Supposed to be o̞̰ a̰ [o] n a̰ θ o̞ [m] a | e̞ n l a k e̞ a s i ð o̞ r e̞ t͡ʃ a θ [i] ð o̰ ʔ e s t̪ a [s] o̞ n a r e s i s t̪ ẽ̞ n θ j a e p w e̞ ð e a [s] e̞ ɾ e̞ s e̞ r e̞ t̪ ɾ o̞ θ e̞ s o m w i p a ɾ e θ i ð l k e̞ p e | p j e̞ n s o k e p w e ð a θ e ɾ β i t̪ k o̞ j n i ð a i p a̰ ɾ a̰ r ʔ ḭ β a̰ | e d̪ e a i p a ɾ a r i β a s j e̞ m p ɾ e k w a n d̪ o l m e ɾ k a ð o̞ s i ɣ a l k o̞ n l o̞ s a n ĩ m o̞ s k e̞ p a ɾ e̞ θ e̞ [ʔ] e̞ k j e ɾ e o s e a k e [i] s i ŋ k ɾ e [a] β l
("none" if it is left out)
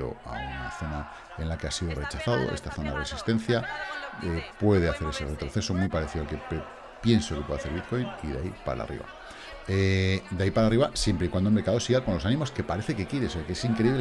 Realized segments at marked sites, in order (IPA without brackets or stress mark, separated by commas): u, n, a, θ, θ, k, e, i